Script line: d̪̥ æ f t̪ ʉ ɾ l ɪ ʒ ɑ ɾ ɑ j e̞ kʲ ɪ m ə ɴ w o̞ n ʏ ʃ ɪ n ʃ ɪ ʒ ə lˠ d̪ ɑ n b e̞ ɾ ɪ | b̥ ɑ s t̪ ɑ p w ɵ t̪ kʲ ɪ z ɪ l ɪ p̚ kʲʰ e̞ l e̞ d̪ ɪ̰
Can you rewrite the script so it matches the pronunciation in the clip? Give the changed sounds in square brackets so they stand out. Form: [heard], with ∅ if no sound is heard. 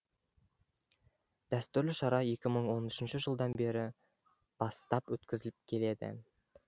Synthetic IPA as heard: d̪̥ æ [s] t̪ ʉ ɾ l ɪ [ʃ] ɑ ɾ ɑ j e̞ kʲ ɪ m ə ɴ w o̞ n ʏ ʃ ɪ n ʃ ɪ ʒ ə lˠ d̪ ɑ n b e̞ ɾ ɪ | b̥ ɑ s t̪ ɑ p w ɵ t̪ kʲ ɪ z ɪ l ɪ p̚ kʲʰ e̞ l e̞ d̪ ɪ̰